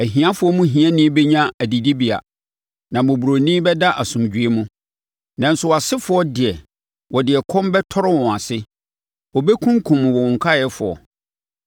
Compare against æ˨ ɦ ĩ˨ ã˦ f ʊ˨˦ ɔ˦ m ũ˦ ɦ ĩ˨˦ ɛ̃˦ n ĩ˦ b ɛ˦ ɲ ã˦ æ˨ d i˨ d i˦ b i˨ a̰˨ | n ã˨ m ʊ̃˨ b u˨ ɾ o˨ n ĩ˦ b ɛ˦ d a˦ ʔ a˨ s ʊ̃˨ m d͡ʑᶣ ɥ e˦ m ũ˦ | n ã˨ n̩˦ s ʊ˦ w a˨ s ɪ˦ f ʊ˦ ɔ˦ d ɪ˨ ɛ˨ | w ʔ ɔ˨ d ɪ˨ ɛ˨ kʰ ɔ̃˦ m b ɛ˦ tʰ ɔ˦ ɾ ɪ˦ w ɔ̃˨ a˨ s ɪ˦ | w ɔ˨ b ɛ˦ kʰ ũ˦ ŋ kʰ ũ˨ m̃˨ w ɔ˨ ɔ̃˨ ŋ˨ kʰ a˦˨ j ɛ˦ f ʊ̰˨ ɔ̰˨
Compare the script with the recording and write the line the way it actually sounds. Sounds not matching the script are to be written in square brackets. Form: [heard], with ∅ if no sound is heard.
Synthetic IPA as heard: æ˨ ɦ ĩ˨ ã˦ f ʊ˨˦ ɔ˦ m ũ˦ ɦ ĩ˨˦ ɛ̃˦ n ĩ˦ b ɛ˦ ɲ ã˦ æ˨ d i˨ d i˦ b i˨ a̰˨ | n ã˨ m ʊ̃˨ b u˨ ɾ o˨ n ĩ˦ b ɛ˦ d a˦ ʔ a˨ s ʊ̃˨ m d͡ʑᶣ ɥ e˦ m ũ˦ | n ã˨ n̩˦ s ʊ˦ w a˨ s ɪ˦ f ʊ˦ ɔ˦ d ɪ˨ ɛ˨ | w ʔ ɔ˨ d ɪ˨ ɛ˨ kʰ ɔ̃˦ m b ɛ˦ tʰ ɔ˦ ɾ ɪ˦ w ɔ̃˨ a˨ s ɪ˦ | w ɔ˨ b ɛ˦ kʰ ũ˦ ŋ kʰ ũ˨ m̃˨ w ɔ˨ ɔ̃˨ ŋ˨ kʰ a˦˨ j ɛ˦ f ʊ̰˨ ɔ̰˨